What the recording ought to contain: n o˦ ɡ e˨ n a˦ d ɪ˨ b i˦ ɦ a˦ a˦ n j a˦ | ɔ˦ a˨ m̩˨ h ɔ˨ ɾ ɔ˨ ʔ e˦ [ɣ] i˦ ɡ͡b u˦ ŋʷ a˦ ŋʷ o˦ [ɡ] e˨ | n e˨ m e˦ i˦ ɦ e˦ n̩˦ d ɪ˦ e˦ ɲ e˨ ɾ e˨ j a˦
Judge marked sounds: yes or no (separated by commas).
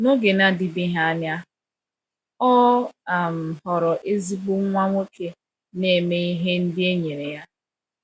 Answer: no, no